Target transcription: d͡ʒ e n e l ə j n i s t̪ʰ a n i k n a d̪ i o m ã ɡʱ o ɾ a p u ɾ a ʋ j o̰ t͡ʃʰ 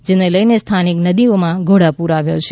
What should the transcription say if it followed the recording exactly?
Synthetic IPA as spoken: d͡ʒ e n e l ə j n e s t̪ʰ a n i k n ə d̪ i o m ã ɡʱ o ɽ a p u ɾ a ʋ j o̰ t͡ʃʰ